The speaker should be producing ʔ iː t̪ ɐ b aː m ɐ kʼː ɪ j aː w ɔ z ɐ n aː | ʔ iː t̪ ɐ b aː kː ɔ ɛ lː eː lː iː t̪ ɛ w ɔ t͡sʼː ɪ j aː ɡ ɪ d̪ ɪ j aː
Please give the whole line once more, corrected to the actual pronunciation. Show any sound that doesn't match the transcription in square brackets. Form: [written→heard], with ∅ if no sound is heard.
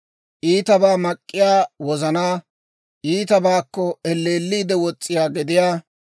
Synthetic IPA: ʔ iː t̪ ɐ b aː m ɐ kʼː ɪ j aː w ɔ z ɐ n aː | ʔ iː t̪ ɐ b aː kː ɔ ɛ lː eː lː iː [t̪→d̪] ɛ w ɔ t͡sʼː ɪ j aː ɡ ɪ d̪ ɪ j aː